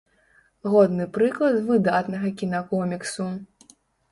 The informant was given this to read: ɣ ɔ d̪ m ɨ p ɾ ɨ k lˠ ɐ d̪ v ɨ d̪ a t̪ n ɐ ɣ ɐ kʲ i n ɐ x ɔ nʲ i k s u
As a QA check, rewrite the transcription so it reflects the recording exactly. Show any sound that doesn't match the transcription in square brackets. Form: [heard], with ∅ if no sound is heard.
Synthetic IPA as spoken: ɣ ɔ d̪ [n] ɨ p ɾ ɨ k lˠ ɐ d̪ v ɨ d̪ a t̪ n ɐ ɣ ɐ kʲ i n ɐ [k] ɔ [mʲ] i k s u

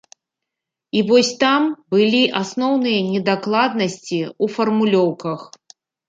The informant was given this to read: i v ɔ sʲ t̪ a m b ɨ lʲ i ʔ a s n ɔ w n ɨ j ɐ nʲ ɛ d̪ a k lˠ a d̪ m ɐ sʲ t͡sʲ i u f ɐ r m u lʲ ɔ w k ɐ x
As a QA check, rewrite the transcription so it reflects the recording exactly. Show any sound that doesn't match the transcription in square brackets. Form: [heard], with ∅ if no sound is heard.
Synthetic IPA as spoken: i v ɔ sʲ t̪ a m b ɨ lʲ i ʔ a s n ɔ w n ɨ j ɐ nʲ ɛ d̪ a k lˠ a d̪ [n] ɐ sʲ t͡sʲ i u f ɐ r m u lʲ ɔ w k ɐ x

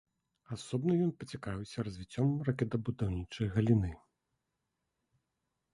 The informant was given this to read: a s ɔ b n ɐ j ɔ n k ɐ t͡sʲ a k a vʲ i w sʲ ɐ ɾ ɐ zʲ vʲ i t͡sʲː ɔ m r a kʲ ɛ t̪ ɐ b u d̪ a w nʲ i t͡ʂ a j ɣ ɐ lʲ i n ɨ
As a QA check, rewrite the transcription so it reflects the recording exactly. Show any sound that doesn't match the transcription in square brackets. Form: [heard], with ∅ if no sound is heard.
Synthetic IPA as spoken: a s ɔ b n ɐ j ɔ n [p] ɐ t͡sʲ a k a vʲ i w sʲ ɐ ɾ ɐ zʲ vʲ i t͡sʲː ɔ m r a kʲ ɛ t̪ ɐ b u d̪ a w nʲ i t͡ʂ [ɐ] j ɣ ɐ lʲ i n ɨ

